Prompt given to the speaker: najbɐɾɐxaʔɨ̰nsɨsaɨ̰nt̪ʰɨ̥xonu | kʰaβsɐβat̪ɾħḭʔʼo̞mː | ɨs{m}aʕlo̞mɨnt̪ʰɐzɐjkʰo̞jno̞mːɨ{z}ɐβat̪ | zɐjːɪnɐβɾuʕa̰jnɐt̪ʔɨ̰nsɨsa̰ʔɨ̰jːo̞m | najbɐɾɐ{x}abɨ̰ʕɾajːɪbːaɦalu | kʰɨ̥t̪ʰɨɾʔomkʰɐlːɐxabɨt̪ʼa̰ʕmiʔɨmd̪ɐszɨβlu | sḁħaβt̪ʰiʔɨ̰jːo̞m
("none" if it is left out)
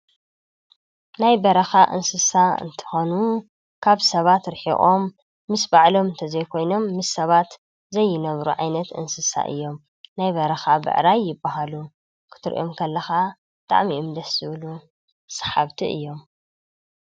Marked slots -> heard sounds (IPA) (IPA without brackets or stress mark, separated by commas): b, s, x